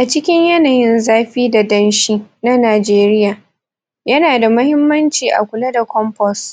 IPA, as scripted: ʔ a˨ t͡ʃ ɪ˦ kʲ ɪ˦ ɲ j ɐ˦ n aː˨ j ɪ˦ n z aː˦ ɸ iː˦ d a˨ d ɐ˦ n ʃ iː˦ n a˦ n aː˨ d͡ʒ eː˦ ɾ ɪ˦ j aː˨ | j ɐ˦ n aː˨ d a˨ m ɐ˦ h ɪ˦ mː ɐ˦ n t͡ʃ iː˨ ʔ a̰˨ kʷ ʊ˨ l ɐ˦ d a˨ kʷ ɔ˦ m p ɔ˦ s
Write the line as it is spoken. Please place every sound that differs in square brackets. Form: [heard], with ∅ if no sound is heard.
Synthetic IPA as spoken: ʔ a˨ t͡ʃ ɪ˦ kʲ ɪ˦ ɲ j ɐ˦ n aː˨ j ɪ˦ n z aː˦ ɸ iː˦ d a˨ d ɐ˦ n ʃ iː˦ n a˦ n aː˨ d͡ʒ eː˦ ɾ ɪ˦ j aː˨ | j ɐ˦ n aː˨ d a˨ m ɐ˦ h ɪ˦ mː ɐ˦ n t͡ʃ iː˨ ʔ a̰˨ kʷ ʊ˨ l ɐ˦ d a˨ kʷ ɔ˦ m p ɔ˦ s

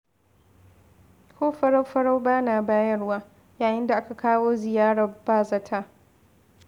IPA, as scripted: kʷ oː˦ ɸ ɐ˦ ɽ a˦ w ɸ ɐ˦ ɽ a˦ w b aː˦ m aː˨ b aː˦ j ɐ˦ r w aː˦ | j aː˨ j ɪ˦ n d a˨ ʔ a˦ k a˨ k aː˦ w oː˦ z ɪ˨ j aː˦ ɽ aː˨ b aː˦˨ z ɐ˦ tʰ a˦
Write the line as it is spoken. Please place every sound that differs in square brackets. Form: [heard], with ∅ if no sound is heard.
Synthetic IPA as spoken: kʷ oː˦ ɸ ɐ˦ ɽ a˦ w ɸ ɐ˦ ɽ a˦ w b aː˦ [n] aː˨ b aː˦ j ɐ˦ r w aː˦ | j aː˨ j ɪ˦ n d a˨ ʔ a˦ k a˨ k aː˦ w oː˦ z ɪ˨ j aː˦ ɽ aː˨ b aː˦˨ z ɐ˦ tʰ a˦

